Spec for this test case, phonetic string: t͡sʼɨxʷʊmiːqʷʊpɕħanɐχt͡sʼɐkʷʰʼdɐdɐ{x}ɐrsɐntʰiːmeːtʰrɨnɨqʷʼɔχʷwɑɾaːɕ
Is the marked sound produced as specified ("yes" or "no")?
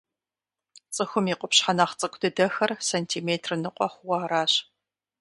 yes